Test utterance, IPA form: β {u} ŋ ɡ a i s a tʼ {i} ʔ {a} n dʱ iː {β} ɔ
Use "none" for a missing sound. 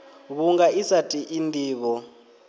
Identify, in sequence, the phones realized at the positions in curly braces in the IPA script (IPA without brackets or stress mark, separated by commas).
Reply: u, i, i, β